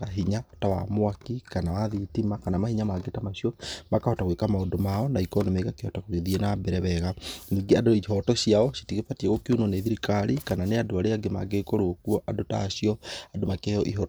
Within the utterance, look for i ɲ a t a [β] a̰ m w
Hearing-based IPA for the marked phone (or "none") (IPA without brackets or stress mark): w